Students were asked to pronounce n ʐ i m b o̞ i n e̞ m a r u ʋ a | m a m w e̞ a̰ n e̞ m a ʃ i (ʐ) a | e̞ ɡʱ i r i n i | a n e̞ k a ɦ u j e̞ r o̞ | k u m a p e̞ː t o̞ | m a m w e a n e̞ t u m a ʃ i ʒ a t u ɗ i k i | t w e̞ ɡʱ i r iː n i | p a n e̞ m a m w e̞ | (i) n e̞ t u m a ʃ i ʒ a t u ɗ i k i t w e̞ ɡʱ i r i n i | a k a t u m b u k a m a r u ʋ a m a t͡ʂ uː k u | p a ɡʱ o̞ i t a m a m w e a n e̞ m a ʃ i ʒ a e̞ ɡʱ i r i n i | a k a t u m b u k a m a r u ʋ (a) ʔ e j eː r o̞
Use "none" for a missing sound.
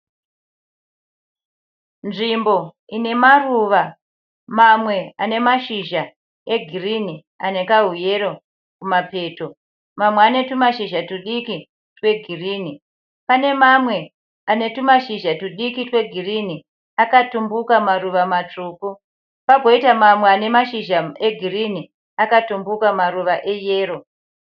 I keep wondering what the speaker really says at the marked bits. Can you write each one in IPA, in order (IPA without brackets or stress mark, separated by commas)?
ʒ, a, a